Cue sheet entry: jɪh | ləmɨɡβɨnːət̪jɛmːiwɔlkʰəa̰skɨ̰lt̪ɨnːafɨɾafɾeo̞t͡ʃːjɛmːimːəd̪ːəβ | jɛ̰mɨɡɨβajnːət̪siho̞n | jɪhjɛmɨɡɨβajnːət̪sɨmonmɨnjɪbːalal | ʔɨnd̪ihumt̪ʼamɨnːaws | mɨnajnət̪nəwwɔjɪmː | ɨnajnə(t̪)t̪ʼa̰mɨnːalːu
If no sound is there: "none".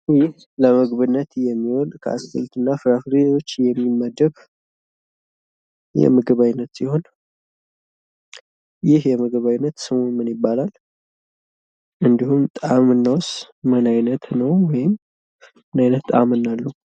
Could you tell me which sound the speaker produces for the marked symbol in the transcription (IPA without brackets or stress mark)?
t̪